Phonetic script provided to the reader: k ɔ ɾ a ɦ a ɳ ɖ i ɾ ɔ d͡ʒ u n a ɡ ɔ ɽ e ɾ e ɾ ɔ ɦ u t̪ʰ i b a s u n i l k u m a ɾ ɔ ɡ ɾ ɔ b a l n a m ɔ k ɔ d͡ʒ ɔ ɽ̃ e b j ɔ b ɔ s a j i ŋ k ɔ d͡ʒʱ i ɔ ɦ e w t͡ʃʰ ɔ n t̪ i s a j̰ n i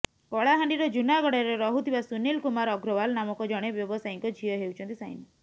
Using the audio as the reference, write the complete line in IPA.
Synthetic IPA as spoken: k ɔ ɭ a ɦ a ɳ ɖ i ɾ ɔ d͡ʒ u n a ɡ ɔ ɽ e ɾ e ɾ ɔ ɦ u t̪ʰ i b a s u n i l k u m a ɾ ɔ ɡ ɾ ɔ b a l n a m ɔ k ɔ d͡ʒ ɔ ɽ̃ e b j ɔ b ɔ s a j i ŋ k ɔ d͡ʒʱ i ɔ ɦ e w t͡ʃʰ ɔ n t̪ i s a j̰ n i